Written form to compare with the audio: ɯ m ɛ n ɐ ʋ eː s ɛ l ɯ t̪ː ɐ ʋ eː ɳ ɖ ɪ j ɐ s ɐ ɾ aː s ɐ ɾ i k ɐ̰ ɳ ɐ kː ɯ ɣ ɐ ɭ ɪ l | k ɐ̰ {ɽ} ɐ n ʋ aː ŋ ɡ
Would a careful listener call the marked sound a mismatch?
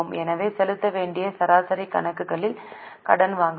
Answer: no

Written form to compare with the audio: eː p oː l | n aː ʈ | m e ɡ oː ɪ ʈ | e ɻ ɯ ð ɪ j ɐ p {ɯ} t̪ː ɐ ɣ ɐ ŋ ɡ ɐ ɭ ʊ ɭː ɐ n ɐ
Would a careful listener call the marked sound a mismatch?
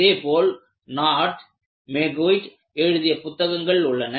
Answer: yes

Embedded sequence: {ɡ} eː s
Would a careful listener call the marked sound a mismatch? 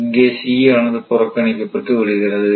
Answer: no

